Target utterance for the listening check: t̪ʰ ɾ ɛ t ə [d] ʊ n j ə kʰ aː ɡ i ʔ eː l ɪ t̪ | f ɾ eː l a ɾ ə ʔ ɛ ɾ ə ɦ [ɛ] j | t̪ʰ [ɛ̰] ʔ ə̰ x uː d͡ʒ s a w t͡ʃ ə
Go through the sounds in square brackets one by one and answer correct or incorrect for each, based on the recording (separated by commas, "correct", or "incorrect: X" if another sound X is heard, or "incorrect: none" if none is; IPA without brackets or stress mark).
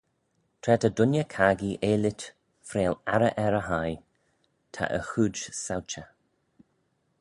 correct, incorrect: a, incorrect: a̰